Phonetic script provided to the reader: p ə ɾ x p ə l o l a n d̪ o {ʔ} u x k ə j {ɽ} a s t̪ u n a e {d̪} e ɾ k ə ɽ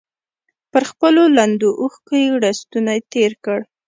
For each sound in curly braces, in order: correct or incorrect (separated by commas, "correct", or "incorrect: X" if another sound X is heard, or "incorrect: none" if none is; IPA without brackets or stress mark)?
correct, correct, incorrect: t̪